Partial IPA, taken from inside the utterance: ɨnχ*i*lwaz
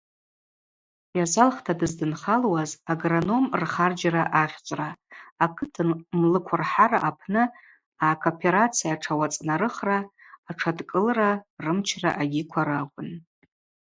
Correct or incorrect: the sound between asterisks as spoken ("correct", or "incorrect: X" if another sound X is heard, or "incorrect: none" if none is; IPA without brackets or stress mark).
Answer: incorrect: a